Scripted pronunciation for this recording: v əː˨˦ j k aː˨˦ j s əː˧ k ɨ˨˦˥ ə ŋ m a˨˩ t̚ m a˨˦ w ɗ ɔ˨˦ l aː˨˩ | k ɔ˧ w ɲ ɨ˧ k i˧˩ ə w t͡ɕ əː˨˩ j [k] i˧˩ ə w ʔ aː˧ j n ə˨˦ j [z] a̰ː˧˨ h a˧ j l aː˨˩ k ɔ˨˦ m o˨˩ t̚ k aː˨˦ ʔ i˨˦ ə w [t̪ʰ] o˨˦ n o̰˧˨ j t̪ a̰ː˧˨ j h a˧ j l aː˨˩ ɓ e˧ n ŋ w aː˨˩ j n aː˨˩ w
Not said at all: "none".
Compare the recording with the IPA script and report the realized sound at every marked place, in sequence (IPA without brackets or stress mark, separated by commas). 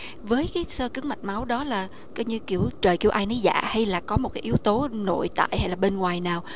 k, z, t̪